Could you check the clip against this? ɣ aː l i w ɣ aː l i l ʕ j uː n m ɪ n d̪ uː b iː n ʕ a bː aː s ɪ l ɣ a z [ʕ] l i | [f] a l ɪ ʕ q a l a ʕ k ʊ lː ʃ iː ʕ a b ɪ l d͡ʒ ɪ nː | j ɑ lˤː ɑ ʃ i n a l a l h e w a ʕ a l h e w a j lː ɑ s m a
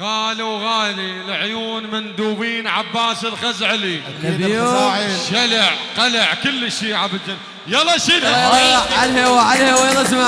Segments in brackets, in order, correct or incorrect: correct, incorrect: ʃ

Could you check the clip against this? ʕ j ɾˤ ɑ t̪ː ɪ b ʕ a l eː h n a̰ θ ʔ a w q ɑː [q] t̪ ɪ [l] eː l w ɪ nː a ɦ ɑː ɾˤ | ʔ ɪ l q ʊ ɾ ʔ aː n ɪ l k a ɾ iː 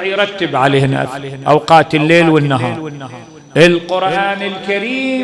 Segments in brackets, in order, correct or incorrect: incorrect: none, incorrect: lː

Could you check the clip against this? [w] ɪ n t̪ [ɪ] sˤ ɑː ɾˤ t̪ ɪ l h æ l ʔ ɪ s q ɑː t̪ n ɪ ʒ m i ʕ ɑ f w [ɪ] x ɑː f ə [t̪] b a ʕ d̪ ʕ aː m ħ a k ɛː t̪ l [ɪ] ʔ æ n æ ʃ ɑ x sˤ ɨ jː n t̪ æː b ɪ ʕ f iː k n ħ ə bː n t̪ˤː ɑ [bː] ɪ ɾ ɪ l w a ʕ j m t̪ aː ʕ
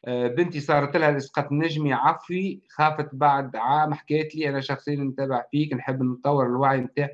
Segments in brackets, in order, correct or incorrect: incorrect: b, incorrect: i, incorrect: i, correct, incorrect: i, incorrect: wː

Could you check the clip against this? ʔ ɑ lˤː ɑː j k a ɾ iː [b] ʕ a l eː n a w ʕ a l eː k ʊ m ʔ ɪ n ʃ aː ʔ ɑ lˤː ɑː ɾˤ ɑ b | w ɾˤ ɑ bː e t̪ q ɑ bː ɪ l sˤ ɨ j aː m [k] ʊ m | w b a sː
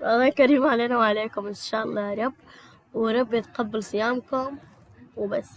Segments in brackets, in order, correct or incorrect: incorrect: m, correct

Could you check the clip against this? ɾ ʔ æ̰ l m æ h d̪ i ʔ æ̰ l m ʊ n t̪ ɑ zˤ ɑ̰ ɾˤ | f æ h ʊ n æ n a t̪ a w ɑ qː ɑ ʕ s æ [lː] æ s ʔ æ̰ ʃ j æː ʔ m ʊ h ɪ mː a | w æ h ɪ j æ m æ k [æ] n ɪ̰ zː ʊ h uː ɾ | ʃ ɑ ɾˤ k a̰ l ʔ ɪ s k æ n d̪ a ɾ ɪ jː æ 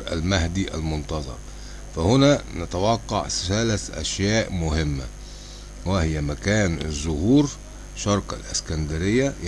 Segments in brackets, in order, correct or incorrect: incorrect: l, incorrect: æː

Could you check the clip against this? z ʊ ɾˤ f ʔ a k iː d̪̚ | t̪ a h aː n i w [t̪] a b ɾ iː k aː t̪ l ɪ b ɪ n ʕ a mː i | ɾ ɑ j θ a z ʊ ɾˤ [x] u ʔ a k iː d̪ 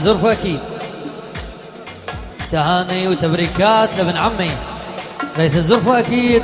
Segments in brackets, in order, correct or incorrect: correct, incorrect: f

